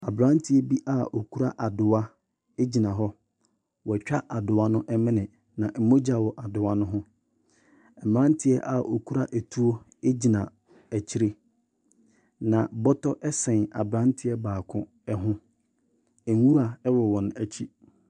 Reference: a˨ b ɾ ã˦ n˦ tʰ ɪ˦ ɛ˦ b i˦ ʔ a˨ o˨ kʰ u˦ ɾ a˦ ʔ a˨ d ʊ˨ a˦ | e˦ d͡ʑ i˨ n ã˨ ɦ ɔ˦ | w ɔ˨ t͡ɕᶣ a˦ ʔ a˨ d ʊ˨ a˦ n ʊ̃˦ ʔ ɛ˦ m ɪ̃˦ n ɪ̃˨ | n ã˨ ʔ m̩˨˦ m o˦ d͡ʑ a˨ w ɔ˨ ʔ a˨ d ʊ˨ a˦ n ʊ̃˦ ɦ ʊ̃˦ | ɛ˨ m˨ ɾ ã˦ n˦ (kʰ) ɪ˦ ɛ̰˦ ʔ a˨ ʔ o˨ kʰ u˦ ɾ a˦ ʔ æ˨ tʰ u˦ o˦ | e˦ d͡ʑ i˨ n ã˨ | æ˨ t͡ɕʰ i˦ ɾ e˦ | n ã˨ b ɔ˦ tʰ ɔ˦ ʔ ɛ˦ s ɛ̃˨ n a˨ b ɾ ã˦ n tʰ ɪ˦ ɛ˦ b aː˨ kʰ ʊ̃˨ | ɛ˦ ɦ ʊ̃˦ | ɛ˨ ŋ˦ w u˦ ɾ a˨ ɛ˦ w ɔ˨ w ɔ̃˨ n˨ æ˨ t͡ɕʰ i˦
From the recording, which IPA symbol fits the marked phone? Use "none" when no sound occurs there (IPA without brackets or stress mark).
tʰ